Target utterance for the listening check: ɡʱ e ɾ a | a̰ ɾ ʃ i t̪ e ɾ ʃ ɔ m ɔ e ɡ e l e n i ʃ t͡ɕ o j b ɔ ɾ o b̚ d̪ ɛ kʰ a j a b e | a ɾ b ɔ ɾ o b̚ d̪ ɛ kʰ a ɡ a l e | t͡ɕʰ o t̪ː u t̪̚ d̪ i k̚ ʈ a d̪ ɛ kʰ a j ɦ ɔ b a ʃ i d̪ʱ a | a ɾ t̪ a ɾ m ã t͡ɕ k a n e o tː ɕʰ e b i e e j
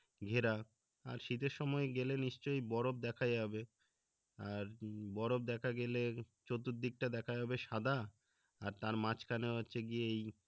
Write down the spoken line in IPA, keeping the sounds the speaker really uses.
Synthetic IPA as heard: ɡʱ e ɾ a | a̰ ɾ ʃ i t̪ e ɾ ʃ ɔ m ɔ e ɡ e l e n i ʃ t͡ɕ o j b ɔ ɾ o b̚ d̪ ɛ kʰ a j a b e | a ɾ b ɔ ɾ o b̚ d̪ ɛ kʰ a ɡ e l e | t͡ɕ o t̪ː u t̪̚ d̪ i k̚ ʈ a d̪ ɛ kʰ a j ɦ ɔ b e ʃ a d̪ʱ a | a ɾ t̪ a ɾ m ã t͡ɕ k a n e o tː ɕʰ e ɡ i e e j